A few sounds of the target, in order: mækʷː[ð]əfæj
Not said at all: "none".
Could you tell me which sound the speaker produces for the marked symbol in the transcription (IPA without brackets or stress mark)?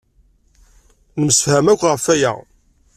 ʁ